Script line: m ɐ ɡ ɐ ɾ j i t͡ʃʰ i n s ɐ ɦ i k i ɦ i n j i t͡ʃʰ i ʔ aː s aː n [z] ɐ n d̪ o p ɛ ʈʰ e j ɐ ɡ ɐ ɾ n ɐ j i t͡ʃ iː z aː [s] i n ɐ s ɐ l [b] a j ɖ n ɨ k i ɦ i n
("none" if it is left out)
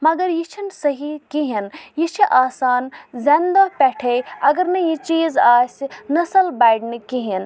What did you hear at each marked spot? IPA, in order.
z, s, b

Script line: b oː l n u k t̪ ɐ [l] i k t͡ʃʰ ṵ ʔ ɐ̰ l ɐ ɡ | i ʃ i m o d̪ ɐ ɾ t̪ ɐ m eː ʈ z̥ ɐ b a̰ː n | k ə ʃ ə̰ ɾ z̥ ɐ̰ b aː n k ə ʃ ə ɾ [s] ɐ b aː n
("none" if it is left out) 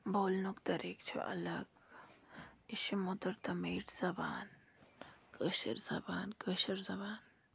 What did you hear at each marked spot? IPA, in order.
ɾ, z

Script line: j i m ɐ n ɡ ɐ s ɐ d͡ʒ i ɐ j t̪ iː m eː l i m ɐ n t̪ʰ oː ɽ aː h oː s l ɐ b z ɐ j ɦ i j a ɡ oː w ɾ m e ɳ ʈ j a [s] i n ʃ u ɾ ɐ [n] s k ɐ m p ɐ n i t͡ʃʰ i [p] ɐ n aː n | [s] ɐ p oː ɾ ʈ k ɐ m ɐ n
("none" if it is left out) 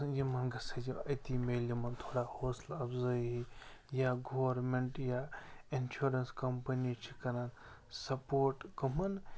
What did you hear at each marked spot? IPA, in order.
none, n, k, s

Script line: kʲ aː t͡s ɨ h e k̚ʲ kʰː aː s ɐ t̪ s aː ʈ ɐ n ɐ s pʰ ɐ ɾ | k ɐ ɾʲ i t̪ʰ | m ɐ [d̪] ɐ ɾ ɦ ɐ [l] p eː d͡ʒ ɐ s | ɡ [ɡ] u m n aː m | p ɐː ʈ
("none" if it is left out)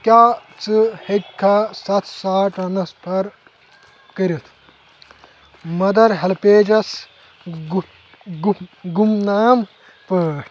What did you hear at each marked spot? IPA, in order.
d̪, l, ɡ

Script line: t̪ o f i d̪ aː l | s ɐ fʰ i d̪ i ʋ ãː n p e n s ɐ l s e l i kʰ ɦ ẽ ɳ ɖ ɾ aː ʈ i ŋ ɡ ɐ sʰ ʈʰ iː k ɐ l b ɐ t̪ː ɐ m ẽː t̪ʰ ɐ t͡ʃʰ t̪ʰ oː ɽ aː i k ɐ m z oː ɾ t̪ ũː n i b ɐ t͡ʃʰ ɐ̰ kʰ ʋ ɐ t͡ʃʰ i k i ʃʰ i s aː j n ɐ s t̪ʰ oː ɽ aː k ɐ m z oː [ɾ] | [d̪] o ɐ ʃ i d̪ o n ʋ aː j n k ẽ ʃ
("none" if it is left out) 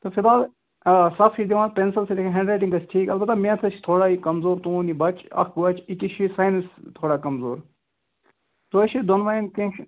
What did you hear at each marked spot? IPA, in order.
ɾ, t̪

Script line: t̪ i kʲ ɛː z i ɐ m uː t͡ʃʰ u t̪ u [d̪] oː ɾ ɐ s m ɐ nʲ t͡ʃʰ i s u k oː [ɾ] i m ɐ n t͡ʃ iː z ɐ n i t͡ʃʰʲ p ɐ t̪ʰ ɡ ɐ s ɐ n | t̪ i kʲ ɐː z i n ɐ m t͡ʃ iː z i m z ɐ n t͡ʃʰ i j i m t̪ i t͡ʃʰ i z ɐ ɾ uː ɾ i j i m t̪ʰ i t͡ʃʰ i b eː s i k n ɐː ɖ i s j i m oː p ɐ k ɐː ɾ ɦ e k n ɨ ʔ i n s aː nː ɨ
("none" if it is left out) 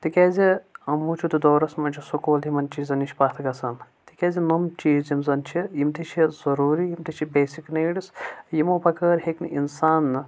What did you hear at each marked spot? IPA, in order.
d̪, l

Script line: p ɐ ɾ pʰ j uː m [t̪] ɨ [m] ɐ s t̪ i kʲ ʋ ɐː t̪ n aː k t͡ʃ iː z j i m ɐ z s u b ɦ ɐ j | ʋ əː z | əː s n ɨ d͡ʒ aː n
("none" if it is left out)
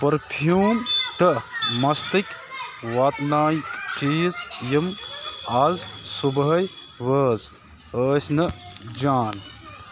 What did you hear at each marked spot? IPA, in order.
t̪, m

